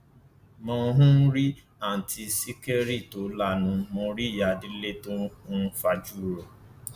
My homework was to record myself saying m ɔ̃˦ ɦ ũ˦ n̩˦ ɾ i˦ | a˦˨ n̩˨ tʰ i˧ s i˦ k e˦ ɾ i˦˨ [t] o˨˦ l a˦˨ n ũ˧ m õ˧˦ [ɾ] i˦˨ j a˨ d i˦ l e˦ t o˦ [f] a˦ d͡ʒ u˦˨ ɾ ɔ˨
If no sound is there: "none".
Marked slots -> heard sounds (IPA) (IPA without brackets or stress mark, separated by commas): t, ɾ, f